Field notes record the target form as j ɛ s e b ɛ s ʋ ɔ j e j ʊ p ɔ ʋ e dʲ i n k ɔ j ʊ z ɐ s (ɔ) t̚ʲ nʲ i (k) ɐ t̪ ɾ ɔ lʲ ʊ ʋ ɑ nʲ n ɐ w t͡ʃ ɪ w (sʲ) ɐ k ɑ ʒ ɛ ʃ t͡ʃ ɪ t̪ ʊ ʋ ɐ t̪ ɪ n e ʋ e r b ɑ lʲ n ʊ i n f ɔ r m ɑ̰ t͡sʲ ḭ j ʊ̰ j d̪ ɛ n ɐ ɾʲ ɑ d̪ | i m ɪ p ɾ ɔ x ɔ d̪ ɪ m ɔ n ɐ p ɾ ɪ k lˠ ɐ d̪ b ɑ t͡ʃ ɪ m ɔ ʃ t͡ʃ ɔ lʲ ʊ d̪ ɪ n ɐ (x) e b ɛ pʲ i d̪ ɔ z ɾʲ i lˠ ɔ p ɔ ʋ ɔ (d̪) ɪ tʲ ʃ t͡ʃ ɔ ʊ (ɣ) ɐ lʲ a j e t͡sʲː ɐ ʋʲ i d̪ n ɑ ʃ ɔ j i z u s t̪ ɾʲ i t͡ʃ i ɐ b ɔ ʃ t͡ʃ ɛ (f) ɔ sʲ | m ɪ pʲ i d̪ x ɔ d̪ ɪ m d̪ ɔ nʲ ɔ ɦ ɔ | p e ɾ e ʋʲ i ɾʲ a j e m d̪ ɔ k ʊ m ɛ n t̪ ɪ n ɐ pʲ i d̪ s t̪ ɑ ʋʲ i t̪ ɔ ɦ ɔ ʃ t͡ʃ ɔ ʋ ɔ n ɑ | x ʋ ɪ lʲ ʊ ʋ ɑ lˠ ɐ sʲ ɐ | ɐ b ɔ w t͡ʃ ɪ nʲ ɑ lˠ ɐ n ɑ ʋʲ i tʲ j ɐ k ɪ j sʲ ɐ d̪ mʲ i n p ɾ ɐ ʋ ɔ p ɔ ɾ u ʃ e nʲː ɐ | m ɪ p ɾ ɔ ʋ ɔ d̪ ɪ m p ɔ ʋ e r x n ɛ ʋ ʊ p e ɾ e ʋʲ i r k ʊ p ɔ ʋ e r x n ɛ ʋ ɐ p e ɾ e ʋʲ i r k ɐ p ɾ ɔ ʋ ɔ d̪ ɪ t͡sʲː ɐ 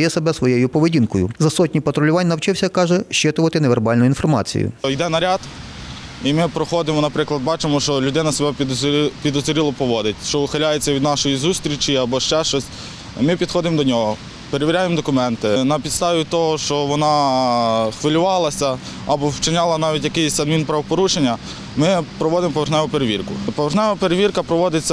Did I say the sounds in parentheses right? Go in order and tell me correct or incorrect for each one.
correct, incorrect: p, correct, incorrect: s, correct, incorrect: x, incorrect: ʃ

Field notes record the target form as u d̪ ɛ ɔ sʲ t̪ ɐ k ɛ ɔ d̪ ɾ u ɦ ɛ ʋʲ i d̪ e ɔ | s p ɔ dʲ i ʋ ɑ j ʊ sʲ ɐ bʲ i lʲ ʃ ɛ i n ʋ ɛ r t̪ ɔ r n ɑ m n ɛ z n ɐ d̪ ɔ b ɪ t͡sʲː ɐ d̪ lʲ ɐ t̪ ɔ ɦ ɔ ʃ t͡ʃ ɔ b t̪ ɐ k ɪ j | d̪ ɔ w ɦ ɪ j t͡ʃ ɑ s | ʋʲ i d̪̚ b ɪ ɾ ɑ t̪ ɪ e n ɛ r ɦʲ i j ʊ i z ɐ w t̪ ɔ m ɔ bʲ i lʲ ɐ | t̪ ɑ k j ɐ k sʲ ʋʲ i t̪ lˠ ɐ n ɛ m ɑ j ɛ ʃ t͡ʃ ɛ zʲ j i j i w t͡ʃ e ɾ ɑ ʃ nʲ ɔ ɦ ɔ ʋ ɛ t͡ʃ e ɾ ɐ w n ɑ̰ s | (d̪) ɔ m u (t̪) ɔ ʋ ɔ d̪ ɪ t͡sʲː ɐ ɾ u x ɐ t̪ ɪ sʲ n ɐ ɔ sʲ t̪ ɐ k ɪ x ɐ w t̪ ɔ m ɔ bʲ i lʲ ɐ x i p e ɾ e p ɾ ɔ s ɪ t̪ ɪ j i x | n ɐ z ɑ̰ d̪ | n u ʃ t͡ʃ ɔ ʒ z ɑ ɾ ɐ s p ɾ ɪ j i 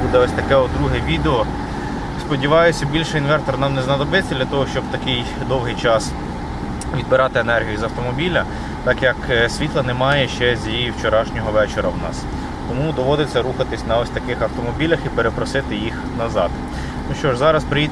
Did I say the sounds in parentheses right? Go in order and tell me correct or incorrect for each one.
incorrect: t̪, incorrect: d̪

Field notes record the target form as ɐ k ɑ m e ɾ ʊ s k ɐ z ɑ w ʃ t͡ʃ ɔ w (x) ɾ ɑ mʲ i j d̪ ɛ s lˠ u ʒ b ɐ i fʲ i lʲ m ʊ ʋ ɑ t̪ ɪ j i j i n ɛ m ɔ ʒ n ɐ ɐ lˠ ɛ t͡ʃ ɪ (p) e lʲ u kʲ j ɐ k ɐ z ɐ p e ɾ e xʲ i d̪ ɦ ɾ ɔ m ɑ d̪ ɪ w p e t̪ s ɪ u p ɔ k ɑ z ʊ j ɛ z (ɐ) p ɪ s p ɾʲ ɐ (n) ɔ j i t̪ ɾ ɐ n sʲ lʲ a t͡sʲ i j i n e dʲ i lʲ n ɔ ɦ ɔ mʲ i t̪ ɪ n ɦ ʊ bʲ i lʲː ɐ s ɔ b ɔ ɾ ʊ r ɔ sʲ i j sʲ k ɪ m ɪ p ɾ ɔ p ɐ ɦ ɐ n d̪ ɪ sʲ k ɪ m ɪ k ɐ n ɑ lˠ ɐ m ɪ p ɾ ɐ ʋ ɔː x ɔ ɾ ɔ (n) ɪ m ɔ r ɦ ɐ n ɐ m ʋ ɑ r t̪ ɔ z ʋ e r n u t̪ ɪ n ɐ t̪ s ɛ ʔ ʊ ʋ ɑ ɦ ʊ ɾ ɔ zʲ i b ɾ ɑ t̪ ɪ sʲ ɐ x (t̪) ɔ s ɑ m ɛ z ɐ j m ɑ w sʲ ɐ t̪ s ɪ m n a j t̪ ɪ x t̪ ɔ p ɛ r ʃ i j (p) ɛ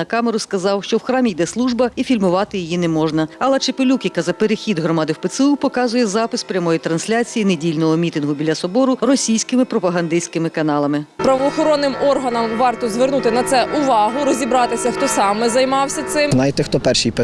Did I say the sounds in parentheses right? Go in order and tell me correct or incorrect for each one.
correct, correct, incorrect: ɑ, incorrect: m, incorrect: nː, correct, correct

